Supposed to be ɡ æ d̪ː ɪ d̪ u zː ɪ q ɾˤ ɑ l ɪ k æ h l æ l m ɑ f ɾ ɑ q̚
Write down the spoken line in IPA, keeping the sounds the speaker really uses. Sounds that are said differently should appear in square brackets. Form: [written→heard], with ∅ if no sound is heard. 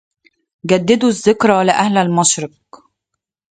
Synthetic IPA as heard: ɡ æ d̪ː ɪ d̪ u zː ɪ [q→k] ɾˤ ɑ l ɪ [k→ʔ] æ h l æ l m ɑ [f→ʃ] ɾ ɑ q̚